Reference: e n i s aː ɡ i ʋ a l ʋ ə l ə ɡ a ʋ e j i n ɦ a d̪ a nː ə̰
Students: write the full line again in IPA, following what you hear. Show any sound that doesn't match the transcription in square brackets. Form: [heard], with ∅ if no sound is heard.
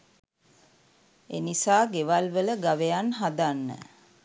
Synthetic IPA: e n i s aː ɡ [e] ʋ a l ʋ ə l ə ɡ a ʋ e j [a] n ɦ a d̪ a nː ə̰